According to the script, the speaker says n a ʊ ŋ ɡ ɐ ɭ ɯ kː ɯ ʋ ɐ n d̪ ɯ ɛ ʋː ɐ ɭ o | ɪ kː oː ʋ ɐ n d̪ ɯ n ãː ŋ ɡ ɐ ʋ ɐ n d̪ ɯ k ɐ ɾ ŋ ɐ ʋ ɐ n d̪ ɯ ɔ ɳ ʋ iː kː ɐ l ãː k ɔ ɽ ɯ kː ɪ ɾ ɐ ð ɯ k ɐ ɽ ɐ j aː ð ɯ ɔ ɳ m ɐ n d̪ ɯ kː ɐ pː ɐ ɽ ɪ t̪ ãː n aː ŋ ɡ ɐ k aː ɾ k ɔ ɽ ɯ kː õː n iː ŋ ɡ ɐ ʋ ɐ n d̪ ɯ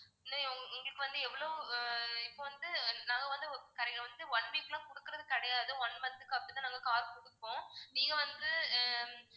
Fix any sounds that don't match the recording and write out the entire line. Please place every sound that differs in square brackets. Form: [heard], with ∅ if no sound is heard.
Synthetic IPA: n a ʊ ŋ ɡ ɐ ɭ ɯ kː ɯ ʋ ɐ n d̪ ɯ ɛ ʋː ɐ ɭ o | ɪ [pː] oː ʋ ɐ n d̪ ɯ n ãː ŋ ɡ ɐ ʋ ɐ n d̪ ɯ k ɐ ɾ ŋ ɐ ʋ ɐ n d̪ ɯ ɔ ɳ ʋ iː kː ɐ l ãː k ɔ ɽ ɯ kː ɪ ɾ ɐ ð ɯ k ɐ ɽ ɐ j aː ð ɯ ɔ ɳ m ɐ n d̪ ɯ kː ɐ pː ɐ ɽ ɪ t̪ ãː n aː ŋ ɡ ɐ k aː ɾ k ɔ ɽ ɯ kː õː n iː ŋ ɡ ɐ ʋ ɐ n d̪ ɯ